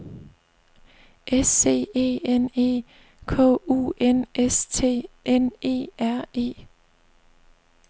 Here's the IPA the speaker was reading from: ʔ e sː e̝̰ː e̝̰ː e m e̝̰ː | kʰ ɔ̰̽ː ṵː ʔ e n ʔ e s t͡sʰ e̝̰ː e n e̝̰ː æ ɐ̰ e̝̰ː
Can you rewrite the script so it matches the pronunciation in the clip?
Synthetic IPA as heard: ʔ e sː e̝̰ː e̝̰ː e n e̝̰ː | kʰ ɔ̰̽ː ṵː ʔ e n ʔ e s t͡sʰ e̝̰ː e n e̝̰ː æ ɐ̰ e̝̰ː